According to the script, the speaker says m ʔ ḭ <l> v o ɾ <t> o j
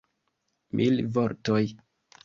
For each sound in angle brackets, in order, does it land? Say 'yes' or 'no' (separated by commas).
yes, yes